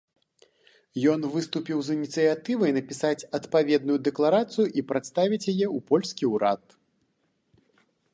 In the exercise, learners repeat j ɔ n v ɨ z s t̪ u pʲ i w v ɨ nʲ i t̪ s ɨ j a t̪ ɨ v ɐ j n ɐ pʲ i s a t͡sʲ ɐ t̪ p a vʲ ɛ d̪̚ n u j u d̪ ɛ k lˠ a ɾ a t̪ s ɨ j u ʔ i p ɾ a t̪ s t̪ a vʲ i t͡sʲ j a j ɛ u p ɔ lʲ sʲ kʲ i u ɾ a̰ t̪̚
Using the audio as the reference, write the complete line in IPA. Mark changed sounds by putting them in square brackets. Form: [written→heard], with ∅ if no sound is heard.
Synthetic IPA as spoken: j ɔ n v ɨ [z→∅] s t̪ u pʲ i w [v→z] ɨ nʲ i t̪ s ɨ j a t̪ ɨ v ɐ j n ɐ pʲ i s a t͡sʲ ɐ t̪ p a vʲ ɛ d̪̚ n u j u d̪ ɛ k lˠ a ɾ a t̪ s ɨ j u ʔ i p ɾ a t̪ s t̪ a vʲ i t͡sʲ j a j ɛ u p ɔ lʲ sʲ kʲ i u ɾ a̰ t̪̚